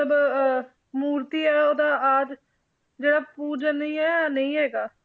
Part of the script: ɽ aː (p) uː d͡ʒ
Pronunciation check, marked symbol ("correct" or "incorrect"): correct